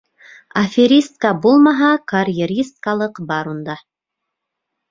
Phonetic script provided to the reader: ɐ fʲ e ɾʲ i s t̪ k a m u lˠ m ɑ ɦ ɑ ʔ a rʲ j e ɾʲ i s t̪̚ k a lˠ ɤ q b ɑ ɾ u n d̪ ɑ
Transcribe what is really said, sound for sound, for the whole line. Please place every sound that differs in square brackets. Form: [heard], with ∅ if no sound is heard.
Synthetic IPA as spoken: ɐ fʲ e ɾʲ i s t̪ k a [b] u lˠ m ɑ ɦ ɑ [k] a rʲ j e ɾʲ i s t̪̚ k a lˠ ɤ q b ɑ ɾ u n d̪ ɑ